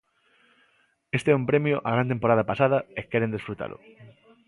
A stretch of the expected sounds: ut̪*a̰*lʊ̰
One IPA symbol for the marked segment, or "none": a̰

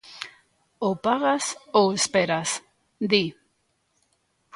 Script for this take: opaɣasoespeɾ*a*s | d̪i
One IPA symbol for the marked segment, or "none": a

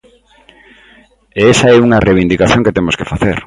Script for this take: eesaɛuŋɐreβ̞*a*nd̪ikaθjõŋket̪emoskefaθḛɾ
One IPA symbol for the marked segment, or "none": i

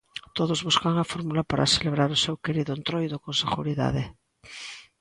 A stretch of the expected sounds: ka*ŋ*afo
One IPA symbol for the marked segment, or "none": ŋ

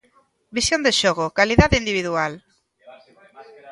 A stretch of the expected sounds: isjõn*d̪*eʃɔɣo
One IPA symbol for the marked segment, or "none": d̪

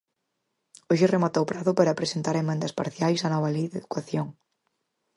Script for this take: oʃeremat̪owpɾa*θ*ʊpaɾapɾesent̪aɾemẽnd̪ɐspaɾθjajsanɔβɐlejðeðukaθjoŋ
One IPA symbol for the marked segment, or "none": ð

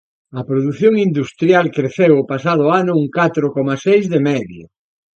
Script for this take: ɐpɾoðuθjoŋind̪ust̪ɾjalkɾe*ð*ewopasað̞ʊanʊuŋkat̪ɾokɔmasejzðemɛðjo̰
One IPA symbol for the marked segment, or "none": θ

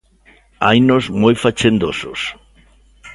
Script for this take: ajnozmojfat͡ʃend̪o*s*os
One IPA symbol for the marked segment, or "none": s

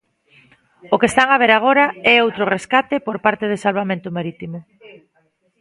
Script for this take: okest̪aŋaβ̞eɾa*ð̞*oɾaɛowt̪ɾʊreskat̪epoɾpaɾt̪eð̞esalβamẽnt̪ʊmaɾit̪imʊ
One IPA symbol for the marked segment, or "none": ɣ̞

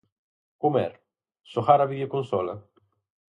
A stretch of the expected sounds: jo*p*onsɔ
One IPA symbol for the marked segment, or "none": k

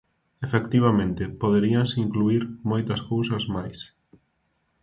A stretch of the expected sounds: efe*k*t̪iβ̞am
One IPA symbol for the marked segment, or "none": k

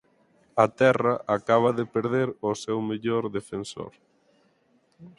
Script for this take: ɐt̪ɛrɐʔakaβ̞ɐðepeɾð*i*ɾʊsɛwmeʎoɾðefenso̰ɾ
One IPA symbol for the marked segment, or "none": e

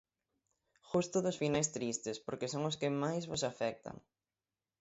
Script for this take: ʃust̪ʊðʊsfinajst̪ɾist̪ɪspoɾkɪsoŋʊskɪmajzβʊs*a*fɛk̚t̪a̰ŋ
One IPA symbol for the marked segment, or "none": a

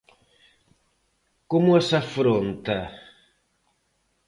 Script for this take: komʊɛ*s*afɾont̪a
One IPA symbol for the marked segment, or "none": s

